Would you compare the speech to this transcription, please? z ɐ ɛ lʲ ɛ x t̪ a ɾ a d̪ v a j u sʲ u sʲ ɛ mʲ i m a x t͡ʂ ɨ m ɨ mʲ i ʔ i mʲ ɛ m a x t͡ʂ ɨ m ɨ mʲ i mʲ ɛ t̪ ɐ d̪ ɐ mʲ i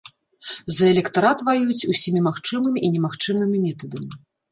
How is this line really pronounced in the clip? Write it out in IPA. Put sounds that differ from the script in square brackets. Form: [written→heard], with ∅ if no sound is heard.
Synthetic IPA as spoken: z ɐ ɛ lʲ ɛ [x→k] t̪ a ɾ a [d̪→t̪] v a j u [sʲ→t͡sʲ] u sʲ [ɛ→i] mʲ i m a x t͡ʂ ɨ m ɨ mʲ i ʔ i [mʲ→nʲ] ɛ m a x t͡ʂ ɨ m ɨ mʲ i mʲ ɛ t̪ ɐ d̪ ɐ mʲ i